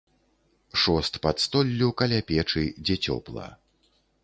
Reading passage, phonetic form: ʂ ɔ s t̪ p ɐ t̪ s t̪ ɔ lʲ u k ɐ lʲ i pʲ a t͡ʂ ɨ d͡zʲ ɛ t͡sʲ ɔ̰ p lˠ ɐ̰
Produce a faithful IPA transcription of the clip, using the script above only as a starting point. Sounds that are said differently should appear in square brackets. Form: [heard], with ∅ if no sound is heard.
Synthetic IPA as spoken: ʂ ɔ s t̪ p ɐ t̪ s t̪ ɔ [lʲː] u k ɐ lʲ [a] pʲ [ɛ] t͡ʂ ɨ d͡zʲ ɛ t͡sʲ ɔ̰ p lˠ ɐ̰